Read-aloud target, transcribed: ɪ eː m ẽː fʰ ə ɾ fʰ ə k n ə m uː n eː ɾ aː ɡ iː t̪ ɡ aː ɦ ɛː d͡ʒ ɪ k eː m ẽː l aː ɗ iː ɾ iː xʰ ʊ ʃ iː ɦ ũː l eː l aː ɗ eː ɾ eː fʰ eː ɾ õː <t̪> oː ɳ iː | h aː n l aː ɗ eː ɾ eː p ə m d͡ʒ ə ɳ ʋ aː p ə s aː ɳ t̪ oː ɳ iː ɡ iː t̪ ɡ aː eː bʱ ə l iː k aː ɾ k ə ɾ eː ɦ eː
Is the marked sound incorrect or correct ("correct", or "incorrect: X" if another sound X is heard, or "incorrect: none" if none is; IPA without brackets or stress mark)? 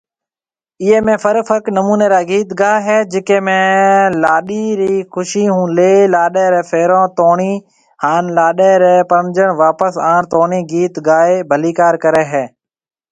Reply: correct